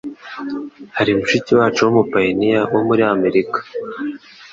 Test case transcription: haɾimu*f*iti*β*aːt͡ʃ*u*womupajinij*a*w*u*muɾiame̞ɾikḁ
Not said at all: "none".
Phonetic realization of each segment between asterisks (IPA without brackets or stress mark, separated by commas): ʃ, w, u, a, o